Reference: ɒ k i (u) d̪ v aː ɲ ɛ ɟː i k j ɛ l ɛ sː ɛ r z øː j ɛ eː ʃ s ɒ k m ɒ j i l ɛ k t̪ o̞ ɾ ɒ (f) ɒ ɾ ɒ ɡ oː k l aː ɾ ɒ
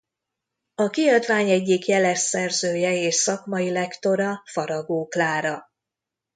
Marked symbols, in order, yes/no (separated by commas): no, yes